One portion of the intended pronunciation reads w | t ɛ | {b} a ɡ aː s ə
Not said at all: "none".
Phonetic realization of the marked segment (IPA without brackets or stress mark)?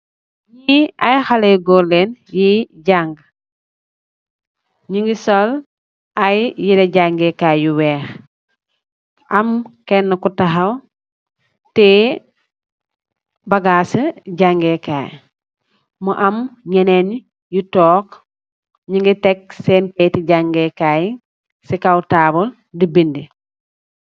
b